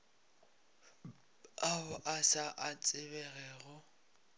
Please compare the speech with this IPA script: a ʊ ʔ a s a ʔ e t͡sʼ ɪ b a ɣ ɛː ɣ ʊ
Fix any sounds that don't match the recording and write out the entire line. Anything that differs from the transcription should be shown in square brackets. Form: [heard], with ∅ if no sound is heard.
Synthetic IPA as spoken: a ʊ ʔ a s a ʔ [a] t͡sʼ ɪ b [ɛ] ɣ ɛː ɣ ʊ